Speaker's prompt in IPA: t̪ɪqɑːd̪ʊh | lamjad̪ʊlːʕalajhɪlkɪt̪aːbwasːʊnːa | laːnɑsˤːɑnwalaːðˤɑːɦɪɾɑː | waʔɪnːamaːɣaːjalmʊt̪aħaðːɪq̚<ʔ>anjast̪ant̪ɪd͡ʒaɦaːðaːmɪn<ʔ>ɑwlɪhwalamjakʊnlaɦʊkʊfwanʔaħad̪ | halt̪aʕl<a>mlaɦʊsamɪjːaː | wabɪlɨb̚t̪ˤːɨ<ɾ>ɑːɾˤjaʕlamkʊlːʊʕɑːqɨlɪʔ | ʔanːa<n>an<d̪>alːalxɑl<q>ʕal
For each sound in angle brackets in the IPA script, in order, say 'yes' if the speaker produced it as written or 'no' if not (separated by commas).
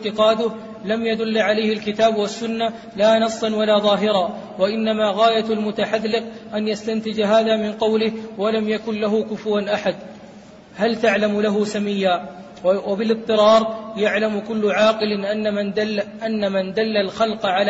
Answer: yes, no, yes, yes, no, yes, yes